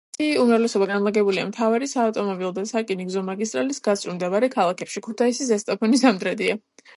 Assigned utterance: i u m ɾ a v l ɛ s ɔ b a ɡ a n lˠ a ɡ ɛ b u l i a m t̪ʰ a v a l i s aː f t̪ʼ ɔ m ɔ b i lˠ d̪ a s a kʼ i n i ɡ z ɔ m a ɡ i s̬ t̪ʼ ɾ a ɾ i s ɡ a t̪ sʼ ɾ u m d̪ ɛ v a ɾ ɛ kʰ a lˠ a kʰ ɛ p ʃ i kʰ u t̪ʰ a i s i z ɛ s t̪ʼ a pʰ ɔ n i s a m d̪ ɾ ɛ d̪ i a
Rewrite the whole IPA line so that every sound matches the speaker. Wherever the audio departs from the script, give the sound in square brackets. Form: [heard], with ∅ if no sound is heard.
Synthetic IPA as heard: i u m ɾ a v l ɛ s ɔ b a ɡ a n lˠ a ɡ ɛ b u l i a m t̪ʰ a v a [ɾ] i s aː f t̪ʼ ɔ m ɔ b i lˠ d̪ a s a kʼ i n i ɡ z ɔ m a ɡ i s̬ t̪ʼ ɾ a [l] i s ɡ a t̪ sʼ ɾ u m d̪ ɛ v a ɾ ɛ kʰ a lˠ a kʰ ɛ p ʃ i kʰ u t̪ʰ a i s i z ɛ s t̪ʼ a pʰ ɔ n i s a m d̪ ɾ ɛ d̪ i a

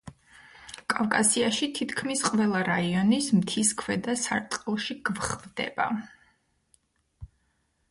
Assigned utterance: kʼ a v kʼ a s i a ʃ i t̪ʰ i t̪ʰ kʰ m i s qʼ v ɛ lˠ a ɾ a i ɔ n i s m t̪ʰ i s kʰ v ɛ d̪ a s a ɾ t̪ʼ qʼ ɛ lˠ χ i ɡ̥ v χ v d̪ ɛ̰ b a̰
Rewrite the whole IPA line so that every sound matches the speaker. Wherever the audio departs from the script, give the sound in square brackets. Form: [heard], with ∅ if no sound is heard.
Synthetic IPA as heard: kʼ a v kʼ a s i a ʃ i t̪ʰ i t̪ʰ kʰ m i s qʼ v ɛ lˠ a ɾ a i ɔ n i s m t̪ʰ i s kʰ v ɛ d̪ a s a ɾ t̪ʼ qʼ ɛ lˠ [ʃ] i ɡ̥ v χ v d̪ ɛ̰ b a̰

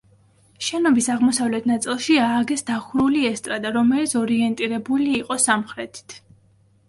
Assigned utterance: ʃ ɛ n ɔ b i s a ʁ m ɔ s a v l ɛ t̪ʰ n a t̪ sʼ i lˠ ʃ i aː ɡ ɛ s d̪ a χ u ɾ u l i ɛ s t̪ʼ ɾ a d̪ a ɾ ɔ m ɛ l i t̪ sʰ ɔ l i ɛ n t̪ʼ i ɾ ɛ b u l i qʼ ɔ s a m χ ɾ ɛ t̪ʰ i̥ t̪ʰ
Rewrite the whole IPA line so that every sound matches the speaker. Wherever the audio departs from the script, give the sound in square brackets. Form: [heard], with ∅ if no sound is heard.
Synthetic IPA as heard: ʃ ɛ n ɔ b i s a ʁ m ɔ s a v l ɛ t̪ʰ n a t̪ sʼ i lˠ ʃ i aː ɡ ɛ s d̪ a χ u ɾ u l i ɛ s t̪ʼ ɾ a d̪ a ɾ ɔ m ɛ l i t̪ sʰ ɔ [ɾ] i ɛ n t̪ʼ i ɾ ɛ b u l [iː] qʼ ɔ s a m χ ɾ ɛ t̪ʰ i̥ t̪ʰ

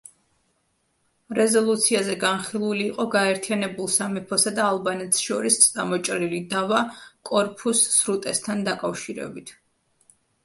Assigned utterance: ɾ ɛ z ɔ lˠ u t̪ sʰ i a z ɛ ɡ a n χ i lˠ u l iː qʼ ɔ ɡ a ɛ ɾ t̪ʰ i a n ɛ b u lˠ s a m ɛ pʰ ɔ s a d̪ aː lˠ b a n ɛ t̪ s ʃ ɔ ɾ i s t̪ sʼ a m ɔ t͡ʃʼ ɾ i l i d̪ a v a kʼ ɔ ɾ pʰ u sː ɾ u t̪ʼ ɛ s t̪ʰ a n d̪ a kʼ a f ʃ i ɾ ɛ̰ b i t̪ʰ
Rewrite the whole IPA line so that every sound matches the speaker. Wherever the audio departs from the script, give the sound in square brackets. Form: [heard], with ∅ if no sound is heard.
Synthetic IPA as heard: ɾ ɛ z ɔ lˠ u t̪ sʰ i a z ɛ ɡ a n χ i lˠ u l iː qʼ ɔ ɡ a ɛ ɾ t̪ʰ i a n ɛ b u lˠ s a m ɛ pʰ ɔ s a d̪ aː lˠ b a n ɛ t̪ s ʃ ɔ ɾ i s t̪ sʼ a m ɔ t͡ʃʼ ɾ i l i d̪ a v a kʼ ɔ ɾ pʰ u sː ɾ u t̪ʼ ɛ s t̪ʰ a n d̪ a kʼ a f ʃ i ɾ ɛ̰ b i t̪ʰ

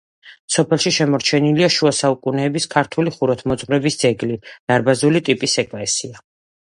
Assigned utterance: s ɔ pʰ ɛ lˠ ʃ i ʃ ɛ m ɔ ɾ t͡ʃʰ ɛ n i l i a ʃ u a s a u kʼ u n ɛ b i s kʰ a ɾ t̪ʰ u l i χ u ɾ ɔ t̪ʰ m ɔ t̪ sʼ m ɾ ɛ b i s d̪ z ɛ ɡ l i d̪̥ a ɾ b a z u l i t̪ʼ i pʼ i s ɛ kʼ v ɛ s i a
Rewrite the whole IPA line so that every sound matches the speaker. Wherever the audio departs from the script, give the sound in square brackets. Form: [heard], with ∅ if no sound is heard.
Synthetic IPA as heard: s ɔ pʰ ɛ lˠ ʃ i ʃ ɛ m ɔ ɾ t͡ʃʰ ɛ n i l i a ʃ u a s a u kʼ u n [ɛː] b i s kʰ a ɾ t̪ʰ u l i χ u ɾ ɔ t̪ʰ m ɔ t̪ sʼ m ɾ ɛ b i s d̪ z ɛ ɡ l i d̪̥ a ɾ b a z u l i t̪ʼ i pʼ i s ɛ kʼ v ɛ s i a

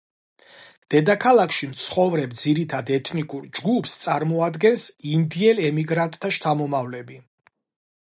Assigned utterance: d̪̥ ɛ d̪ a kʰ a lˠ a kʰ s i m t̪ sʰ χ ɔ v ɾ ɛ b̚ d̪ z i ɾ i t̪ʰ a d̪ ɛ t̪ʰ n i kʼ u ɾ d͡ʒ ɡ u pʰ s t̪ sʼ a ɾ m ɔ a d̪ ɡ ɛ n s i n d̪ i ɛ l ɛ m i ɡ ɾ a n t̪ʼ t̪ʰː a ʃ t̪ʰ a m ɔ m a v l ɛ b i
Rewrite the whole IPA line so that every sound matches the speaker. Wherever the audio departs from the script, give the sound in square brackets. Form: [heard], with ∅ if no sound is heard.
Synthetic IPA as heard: d̪̥ ɛ d̪ a kʰ a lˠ a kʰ [ʃ] i m t̪ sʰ χ ɔ v ɾ ɛ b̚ d̪ z i ɾ i t̪ʰ a d̪ ɛ t̪ʰ n i kʼ u ɾ d͡ʒ ɡ u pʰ s t̪ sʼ a ɾ m ɔ a d̪ ɡ ɛ n s i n d̪ i ɛ l ɛ m i ɡ ɾ a n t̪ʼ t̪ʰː a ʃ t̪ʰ a m ɔ m a v l ɛ b i

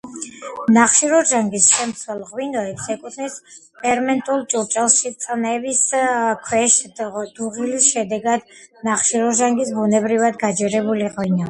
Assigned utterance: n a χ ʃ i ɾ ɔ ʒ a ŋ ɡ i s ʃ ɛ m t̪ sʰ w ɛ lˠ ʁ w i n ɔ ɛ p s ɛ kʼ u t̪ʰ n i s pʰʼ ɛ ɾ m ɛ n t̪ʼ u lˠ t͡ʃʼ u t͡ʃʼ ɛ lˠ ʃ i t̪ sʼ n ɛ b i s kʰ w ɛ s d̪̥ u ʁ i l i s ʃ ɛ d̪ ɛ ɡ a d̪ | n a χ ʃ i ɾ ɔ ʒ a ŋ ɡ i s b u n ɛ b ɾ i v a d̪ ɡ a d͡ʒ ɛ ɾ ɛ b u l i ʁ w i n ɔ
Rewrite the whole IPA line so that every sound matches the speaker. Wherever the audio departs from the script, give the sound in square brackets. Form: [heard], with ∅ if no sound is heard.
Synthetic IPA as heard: n a χ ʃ i ɾ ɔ ʒ a ŋ ɡ i s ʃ ɛ m t̪ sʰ w ɛ lˠ ʁ w i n ɔ ɛ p s ɛ kʼ u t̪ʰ n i s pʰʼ ɛ ɾ m ɛ n t̪ʼ u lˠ t͡ʃʼ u t͡ʃʼ ɛ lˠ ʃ i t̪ sʼ n ɛ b i s kʰ w ɛ [ʃ] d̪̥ u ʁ i l i s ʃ ɛ d̪ ɛ ɡ a d̪ | n a χ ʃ i ɾ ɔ ʒ a ŋ ɡ i s b u n ɛ b ɾ i v a d̪ ɡ a d͡ʒ ɛ ɾ ɛ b u l i ʁ w i n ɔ

